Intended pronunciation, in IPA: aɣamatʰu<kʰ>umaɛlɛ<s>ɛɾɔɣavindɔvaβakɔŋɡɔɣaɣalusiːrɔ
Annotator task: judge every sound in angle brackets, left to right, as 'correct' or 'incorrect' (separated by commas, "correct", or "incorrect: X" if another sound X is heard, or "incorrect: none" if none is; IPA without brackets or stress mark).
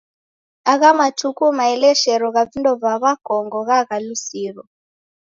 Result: incorrect: k, incorrect: ʃ